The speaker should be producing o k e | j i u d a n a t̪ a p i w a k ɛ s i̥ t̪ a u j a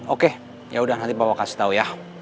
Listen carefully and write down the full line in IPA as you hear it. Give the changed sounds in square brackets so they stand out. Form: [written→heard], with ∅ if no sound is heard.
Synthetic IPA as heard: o k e | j [i→a] u d a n a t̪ [a→i] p [i→a] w a k [ɛ→a] s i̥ t̪ a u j a